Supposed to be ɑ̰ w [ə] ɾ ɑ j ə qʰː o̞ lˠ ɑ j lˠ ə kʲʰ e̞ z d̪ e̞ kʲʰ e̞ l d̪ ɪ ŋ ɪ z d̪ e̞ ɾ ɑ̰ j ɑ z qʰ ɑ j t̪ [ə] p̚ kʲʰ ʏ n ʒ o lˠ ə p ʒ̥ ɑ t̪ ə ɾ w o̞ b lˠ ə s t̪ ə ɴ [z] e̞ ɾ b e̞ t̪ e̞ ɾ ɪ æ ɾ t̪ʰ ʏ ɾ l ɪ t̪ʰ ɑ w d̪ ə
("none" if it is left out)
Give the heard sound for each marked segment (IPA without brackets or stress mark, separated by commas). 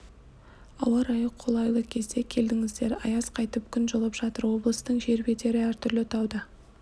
ɑ, ə, ʒ